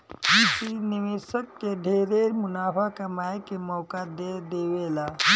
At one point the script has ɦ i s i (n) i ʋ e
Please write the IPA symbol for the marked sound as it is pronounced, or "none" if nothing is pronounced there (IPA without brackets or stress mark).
n